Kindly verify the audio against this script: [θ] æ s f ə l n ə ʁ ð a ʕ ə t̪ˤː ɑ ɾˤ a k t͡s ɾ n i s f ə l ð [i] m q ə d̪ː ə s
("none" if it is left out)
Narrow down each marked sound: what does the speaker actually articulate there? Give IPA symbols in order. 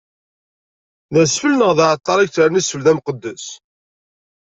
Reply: ð, æ

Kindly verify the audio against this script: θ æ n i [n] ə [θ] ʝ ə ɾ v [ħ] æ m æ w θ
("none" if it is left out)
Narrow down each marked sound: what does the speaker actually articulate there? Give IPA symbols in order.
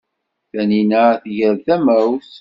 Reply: n, θ, θ

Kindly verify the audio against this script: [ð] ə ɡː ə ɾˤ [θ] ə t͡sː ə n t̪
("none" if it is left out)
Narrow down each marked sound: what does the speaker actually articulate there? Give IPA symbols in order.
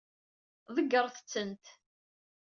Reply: ð, θ

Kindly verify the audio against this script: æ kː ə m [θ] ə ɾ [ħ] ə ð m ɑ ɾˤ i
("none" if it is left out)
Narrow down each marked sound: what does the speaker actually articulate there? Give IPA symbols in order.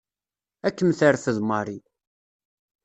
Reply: θ, f

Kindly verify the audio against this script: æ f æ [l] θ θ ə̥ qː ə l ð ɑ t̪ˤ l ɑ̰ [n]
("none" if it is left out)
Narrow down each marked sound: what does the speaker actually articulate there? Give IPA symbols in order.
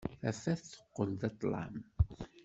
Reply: none, m

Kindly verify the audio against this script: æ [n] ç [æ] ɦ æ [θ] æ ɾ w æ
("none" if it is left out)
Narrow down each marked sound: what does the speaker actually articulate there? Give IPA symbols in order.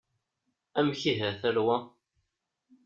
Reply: m, i, θ

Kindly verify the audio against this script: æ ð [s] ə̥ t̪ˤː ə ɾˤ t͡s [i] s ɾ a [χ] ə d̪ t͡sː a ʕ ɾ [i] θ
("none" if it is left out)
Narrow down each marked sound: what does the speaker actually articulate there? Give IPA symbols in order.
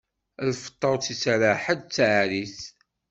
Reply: f, i, ħ, i

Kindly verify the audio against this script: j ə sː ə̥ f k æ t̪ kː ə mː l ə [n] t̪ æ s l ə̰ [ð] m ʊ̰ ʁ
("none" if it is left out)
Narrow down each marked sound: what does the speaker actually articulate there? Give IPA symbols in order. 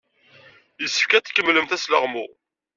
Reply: m, ʁ

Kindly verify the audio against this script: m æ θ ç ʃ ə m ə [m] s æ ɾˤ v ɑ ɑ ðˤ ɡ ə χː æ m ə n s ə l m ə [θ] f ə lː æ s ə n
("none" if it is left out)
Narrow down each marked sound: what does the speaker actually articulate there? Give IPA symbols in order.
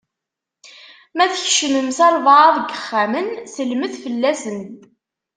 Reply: m, θ

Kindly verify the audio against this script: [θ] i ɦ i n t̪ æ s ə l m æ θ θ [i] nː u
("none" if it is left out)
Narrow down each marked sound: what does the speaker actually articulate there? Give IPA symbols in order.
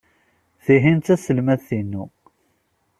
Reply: θ, i

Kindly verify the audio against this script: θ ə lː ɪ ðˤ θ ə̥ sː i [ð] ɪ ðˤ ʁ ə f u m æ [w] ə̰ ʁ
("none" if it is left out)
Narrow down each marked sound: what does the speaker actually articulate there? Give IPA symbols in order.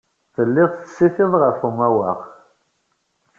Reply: θ, w

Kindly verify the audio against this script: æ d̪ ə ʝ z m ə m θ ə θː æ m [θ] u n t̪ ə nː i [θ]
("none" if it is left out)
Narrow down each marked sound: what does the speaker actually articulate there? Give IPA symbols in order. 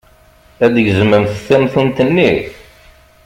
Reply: θ, θ

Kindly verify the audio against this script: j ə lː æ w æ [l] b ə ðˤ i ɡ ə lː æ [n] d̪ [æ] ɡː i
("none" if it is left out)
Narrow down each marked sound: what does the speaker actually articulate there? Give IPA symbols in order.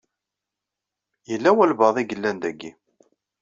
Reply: l, n, æ

